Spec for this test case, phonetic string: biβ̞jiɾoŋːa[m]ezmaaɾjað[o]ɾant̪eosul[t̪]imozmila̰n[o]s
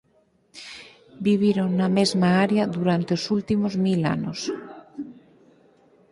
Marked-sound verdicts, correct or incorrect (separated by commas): correct, incorrect, correct, correct